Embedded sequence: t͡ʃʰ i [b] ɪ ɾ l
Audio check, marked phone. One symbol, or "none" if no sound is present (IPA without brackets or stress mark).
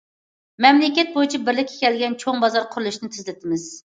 b